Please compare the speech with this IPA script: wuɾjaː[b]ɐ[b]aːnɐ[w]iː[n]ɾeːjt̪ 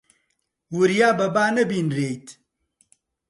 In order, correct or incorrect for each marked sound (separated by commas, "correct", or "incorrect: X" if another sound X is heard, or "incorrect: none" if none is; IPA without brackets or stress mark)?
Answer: correct, correct, incorrect: b, correct